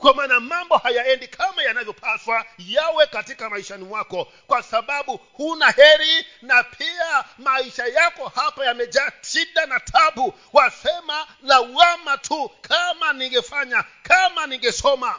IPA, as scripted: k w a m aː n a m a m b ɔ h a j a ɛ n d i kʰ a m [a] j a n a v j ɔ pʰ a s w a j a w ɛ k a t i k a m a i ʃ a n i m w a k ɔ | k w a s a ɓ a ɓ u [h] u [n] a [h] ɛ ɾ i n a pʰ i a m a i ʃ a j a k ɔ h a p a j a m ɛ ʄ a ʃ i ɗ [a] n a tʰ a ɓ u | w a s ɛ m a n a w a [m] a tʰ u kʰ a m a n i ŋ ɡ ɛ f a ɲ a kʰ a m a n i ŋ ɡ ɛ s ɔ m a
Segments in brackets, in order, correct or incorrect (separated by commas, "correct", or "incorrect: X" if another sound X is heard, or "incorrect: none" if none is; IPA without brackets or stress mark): correct, correct, correct, correct, correct, correct